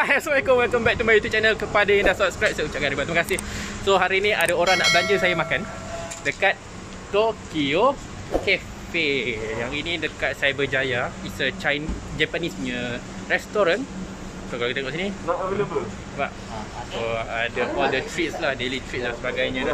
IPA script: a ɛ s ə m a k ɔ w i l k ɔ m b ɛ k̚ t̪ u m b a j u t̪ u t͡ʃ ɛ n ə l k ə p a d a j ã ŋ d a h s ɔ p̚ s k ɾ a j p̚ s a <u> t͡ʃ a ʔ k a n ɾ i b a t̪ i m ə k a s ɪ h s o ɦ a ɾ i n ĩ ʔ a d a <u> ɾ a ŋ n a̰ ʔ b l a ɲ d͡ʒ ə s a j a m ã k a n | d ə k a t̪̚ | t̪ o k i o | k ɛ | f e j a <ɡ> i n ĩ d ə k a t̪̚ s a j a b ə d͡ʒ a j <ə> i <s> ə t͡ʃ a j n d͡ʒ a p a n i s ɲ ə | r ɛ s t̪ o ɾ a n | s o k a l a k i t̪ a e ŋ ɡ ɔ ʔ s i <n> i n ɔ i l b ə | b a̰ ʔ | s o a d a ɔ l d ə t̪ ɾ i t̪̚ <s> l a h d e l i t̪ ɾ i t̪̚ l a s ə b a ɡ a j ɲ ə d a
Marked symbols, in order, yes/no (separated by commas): yes, no, no, no, yes, yes, yes